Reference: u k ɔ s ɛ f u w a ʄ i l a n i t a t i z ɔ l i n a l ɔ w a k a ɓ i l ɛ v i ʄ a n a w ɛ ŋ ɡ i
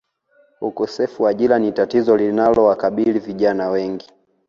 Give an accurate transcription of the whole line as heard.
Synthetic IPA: u k ɔ s ɛ f u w a ʄ i l a n i t a t i z ɔ l i n a l ɔ w a k a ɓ i l i v i ʄ a n a w ɛ ŋ ɡ i